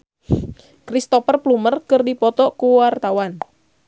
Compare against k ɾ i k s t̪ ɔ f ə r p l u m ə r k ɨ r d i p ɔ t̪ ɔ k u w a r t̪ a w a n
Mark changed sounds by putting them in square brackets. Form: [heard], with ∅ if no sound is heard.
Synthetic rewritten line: k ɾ i [∅] s t̪ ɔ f ə r p l u m ə r k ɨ r d i p ɔ t̪ ɔ k u w a r t̪ a w a n